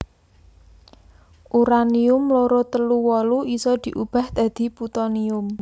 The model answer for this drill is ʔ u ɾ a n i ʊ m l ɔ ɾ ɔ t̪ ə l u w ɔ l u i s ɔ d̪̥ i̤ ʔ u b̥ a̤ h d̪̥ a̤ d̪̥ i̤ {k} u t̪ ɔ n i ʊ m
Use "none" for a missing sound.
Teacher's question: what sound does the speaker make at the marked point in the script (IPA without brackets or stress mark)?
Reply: p